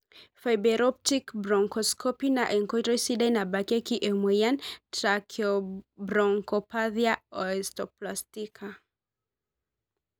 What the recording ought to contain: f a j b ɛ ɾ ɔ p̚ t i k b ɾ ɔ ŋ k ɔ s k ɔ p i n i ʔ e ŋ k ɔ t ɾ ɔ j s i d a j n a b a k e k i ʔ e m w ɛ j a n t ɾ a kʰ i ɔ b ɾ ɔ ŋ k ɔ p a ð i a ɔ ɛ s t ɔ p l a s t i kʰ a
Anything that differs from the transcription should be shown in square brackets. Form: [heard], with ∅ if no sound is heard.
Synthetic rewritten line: f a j b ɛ ɾ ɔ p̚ t i k b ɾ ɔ ŋ k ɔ s k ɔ p i n [a] ʔ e ŋ k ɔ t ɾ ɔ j s i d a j n a b a k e k i ʔ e m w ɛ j a n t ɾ a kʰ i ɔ b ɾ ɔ ŋ k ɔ p a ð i a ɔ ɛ s t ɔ p l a s t i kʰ a